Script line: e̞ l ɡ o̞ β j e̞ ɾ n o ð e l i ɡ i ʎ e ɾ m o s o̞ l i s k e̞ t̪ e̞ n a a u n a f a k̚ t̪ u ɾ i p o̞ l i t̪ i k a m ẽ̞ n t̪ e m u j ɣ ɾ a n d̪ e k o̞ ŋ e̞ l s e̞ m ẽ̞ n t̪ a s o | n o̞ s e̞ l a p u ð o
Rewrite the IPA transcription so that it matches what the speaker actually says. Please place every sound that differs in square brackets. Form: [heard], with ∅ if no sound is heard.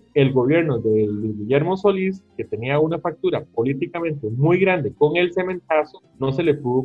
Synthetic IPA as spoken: e̞ l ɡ o̞ β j e̞ ɾ n o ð e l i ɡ i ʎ e ɾ m o s o̞ l i s k e̞ t̪ e̞ n [i] a u n a f a k̚ t̪ u ɾ [a] p o̞ l i t̪ i k a m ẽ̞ n t̪ e m u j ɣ ɾ a n d̪ e k o̞ ŋ e̞ l s e̞ m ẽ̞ n t̪ a s o | n o̞ s e̞ l [e] p u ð o